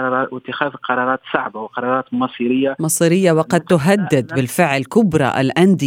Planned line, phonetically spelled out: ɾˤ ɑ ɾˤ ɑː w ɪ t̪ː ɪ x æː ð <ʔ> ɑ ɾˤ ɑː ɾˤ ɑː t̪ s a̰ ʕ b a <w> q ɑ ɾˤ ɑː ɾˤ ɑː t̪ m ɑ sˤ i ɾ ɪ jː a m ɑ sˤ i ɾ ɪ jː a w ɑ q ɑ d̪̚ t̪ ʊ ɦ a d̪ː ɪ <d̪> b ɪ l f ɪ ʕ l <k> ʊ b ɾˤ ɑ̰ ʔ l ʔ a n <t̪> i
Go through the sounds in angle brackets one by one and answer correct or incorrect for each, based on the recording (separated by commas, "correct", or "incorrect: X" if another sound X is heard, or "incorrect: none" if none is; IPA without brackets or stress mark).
incorrect: q, correct, correct, correct, incorrect: d̪